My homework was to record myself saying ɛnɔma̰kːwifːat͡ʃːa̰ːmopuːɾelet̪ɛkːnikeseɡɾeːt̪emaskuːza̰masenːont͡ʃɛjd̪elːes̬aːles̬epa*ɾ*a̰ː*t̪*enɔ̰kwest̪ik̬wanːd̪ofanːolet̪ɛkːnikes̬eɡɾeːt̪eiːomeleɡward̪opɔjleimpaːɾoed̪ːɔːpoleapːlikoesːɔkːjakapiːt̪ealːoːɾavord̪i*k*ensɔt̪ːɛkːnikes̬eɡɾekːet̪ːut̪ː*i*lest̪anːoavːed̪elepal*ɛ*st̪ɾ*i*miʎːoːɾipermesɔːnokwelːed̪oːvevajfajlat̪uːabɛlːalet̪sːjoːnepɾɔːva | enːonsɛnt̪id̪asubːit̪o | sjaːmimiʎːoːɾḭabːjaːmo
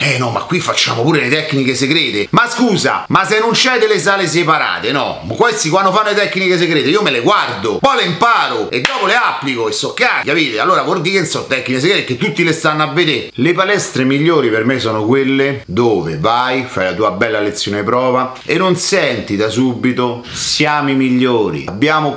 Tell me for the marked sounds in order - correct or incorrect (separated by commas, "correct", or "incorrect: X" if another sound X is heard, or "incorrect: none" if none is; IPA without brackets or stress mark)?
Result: correct, correct, correct, correct, correct, incorrect: e